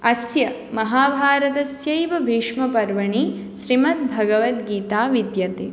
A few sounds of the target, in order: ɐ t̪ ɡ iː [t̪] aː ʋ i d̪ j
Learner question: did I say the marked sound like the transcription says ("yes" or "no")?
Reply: yes